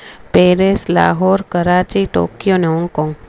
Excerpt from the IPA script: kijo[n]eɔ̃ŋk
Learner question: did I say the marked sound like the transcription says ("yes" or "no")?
yes